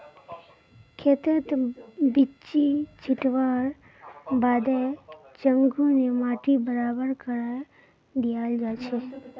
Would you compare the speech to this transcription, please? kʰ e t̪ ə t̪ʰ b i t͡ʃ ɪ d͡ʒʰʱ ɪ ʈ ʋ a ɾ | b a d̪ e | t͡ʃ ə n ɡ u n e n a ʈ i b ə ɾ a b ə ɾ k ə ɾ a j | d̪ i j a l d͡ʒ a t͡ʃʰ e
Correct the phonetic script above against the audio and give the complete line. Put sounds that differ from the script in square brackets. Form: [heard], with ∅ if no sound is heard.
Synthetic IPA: kʰ e t̪ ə [t̪] b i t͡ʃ [i] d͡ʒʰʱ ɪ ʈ ʋ a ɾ | b a d̪ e | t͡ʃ ə [ŋ] ɡ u n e [m] a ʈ i b ə ɾ a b ə ɾ k ə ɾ a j | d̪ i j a l d͡ʒ a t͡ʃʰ e